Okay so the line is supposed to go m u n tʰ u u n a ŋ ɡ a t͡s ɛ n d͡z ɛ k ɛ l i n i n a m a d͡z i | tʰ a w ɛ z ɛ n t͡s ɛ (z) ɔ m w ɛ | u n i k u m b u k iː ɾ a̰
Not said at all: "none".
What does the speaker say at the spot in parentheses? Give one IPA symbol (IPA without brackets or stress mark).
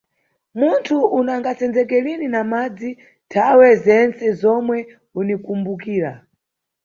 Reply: z